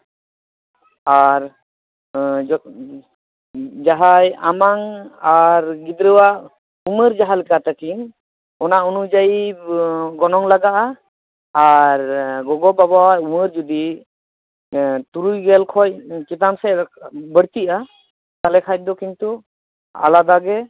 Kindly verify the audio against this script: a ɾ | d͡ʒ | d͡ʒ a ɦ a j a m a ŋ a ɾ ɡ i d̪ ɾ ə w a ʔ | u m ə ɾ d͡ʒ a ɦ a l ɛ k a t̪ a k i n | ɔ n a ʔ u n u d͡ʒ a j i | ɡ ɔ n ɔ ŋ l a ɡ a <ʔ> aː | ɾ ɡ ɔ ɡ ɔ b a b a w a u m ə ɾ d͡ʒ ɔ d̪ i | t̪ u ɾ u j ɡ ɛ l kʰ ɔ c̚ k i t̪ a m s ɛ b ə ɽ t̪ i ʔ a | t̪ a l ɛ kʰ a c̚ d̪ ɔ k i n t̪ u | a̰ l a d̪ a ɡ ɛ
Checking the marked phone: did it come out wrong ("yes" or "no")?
no